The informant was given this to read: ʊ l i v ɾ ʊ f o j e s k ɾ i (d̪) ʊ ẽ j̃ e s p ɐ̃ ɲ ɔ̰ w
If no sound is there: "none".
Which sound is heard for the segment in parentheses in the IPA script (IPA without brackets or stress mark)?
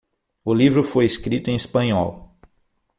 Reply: t̪